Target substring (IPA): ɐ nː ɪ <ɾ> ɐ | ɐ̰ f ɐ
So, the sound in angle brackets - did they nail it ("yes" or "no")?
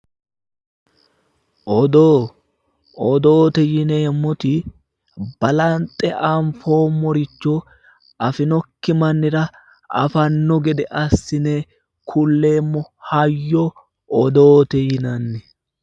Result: yes